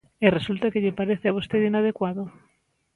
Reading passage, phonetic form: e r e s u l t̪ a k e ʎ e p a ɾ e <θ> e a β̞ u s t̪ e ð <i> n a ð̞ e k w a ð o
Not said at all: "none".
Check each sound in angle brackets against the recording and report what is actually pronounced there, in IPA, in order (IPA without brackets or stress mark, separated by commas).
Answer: θ, i